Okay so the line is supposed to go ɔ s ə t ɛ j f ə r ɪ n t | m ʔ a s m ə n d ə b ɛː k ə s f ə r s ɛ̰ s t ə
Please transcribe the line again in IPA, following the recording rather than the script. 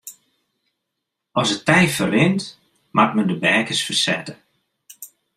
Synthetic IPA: ɔ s ə t ɛ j f ə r ɪ n t | m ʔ a t m ə n d ə b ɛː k ə s f ə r s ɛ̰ t ə